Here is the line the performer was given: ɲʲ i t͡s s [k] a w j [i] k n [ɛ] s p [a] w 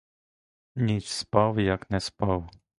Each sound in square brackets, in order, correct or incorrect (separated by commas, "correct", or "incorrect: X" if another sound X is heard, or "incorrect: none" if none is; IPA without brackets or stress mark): incorrect: p, incorrect: a, correct, correct